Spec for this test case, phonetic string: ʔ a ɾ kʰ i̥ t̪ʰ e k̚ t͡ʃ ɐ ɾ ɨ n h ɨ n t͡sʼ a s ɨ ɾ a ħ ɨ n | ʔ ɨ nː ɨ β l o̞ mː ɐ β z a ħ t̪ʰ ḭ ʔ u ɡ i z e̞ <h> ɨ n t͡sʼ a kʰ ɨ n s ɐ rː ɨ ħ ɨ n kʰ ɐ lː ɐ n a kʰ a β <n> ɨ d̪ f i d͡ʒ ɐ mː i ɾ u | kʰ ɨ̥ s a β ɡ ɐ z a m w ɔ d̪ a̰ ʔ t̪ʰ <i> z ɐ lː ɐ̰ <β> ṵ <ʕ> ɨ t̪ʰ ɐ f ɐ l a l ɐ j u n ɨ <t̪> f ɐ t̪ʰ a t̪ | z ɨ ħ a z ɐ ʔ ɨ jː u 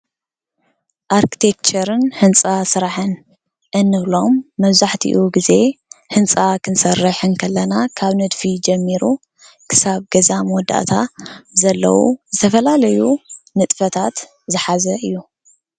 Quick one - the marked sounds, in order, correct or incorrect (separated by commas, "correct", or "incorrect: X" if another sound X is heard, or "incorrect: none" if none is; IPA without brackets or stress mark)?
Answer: correct, correct, incorrect: a, incorrect: w, incorrect: z, incorrect: t̪ʼ